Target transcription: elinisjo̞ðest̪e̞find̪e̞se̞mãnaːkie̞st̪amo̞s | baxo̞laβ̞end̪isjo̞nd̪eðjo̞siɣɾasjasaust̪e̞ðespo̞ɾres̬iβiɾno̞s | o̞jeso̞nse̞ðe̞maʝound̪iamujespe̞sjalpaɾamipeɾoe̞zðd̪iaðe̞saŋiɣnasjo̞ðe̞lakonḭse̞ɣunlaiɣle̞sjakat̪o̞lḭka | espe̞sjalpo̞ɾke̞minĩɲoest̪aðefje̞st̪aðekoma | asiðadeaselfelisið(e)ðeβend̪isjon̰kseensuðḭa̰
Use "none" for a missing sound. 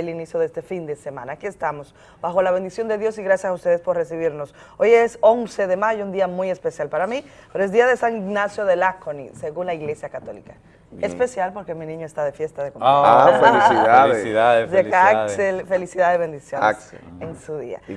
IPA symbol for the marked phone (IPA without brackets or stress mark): a